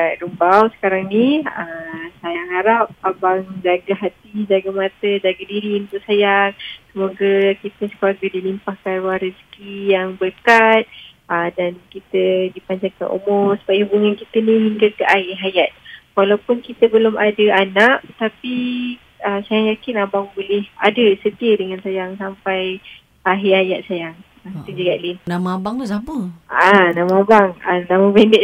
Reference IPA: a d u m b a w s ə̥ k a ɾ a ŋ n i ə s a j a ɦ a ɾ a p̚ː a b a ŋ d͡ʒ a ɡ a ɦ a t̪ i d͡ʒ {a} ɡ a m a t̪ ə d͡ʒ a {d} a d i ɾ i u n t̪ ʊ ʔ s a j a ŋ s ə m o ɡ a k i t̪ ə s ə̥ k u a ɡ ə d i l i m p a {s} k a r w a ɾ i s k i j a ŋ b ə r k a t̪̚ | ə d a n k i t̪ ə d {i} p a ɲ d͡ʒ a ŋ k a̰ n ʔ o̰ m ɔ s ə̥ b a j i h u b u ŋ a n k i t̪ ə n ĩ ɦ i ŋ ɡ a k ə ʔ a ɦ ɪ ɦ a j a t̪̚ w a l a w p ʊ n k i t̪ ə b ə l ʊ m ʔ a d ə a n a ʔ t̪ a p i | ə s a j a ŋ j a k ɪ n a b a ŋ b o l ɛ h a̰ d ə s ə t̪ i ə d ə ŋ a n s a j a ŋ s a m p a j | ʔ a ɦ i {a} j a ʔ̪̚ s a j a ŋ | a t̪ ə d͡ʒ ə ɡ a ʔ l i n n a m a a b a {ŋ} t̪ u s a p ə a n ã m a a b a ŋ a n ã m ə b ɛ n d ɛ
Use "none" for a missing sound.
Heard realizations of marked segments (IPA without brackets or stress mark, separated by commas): a, ɡ, h, i, a, ŋ